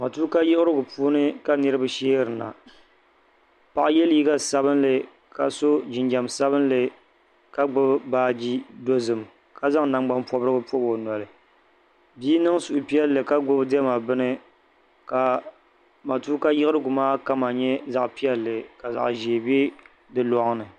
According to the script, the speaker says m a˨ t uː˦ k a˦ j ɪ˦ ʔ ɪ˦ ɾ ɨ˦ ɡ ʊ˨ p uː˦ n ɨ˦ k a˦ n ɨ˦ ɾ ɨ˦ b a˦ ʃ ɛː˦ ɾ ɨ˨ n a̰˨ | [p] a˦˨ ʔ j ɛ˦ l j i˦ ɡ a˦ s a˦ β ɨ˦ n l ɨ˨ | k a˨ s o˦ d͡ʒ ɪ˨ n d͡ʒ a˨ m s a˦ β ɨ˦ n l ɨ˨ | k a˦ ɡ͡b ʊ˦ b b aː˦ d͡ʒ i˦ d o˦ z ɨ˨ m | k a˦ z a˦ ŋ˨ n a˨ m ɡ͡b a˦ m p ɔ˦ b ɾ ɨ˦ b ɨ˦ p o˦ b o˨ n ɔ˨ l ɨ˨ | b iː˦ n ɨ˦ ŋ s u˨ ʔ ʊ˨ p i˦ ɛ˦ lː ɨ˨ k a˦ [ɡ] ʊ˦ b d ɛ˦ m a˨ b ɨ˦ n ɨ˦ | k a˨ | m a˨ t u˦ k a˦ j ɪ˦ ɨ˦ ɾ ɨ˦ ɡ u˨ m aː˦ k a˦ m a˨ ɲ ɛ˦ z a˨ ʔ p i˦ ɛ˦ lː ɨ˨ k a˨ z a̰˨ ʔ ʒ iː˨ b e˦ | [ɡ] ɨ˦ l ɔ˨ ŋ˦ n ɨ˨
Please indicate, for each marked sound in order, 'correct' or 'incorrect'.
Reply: correct, incorrect, incorrect

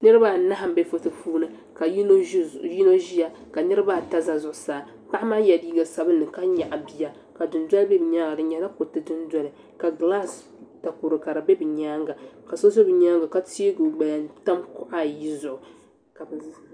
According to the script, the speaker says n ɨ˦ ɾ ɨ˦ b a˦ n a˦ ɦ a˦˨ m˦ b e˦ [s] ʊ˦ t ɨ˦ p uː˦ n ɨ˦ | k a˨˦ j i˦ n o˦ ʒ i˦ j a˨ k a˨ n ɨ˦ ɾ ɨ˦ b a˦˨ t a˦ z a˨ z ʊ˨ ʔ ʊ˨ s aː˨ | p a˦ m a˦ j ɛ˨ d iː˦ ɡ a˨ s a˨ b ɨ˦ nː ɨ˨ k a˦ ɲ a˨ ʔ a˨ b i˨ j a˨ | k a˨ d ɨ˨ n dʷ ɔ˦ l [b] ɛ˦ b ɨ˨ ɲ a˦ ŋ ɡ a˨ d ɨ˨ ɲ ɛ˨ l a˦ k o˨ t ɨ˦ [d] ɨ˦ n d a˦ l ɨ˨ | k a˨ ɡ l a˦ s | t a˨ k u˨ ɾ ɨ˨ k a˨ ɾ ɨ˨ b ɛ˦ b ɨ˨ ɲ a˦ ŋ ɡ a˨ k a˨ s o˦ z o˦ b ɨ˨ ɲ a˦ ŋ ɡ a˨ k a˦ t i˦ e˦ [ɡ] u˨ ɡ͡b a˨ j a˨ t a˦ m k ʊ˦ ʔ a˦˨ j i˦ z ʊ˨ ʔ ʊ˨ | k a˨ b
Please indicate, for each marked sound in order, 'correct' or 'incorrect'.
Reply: incorrect, correct, correct, correct

